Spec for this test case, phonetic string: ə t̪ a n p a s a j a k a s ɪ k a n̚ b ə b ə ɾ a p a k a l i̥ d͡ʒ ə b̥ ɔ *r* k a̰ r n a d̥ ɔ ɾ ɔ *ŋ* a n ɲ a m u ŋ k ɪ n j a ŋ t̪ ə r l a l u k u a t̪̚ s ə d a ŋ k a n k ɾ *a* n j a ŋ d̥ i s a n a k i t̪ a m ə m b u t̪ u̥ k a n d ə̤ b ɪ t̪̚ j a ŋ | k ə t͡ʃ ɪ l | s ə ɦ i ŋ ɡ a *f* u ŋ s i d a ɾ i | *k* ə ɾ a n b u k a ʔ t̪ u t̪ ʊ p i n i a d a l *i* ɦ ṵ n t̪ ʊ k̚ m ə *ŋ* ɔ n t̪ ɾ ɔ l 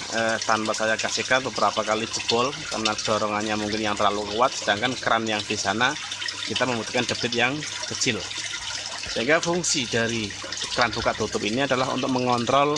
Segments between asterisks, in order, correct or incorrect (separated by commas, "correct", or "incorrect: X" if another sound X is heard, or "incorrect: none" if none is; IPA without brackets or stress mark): incorrect: l, correct, correct, correct, correct, incorrect: a, correct